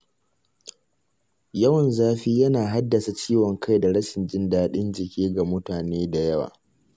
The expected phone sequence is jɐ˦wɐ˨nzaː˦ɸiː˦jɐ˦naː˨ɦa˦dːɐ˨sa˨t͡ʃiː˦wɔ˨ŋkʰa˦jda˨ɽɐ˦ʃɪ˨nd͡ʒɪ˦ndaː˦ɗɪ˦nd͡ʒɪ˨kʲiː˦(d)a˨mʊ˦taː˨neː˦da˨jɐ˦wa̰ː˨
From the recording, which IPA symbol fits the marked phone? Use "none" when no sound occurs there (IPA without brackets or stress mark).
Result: ɡ